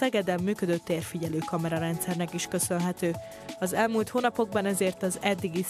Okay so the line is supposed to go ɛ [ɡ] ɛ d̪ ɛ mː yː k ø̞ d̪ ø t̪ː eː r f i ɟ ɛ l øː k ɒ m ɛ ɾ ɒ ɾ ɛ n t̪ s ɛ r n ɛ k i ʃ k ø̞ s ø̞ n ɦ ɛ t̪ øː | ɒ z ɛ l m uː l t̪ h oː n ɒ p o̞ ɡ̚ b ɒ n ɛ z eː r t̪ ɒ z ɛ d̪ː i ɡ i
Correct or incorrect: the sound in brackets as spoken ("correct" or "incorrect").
correct